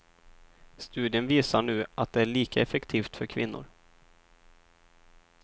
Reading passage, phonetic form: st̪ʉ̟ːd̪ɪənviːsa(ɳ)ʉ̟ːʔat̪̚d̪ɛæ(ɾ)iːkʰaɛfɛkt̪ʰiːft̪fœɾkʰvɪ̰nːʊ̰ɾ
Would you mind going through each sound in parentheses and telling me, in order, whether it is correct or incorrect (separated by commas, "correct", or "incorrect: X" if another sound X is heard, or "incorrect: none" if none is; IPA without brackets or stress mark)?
correct, incorrect: ɭ